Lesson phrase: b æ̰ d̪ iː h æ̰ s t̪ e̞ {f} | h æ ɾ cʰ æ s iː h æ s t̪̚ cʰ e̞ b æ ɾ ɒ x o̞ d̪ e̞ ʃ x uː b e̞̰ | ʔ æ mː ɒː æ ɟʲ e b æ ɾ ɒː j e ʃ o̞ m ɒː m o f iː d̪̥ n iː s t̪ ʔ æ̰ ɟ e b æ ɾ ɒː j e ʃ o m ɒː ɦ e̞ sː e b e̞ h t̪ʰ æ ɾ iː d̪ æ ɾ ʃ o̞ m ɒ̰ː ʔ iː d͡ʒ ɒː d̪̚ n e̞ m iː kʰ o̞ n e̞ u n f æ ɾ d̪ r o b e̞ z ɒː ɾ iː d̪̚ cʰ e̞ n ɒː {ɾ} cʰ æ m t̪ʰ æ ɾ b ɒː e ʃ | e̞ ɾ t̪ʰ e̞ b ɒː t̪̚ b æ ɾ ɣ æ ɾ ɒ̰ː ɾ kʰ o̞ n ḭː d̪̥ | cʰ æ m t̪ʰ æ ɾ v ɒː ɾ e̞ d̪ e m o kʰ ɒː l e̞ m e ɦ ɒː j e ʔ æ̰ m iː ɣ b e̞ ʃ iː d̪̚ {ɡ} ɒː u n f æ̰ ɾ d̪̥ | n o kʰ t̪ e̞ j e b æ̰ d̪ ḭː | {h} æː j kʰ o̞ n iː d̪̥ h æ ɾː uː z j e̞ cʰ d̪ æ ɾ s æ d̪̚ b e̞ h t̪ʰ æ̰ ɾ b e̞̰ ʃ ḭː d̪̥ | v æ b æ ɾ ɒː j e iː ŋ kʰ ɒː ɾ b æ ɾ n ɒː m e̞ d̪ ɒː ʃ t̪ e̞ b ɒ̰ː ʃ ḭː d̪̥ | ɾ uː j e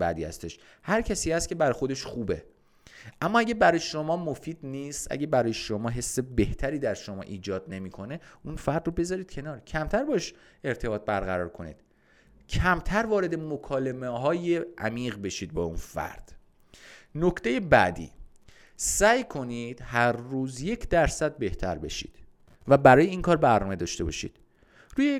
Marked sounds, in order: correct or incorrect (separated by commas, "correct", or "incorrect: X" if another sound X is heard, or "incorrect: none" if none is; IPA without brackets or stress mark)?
incorrect: ʃ, correct, incorrect: b, incorrect: s